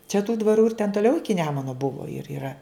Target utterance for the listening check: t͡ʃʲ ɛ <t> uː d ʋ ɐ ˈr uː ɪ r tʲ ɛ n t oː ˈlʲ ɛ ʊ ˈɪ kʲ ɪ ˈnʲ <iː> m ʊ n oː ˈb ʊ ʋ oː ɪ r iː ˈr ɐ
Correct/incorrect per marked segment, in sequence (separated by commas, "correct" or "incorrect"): correct, incorrect